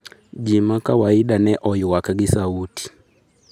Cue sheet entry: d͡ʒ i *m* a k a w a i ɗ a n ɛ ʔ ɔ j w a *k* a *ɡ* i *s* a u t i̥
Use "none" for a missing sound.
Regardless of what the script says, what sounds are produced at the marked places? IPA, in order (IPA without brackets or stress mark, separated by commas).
m, k, ɡ, s